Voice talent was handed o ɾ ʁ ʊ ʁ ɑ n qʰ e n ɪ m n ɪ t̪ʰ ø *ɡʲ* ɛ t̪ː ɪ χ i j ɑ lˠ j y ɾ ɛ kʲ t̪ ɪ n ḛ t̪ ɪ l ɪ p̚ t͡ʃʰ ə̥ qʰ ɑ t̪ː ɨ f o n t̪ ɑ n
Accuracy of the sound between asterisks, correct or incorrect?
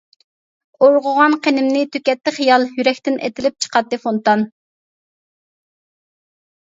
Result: incorrect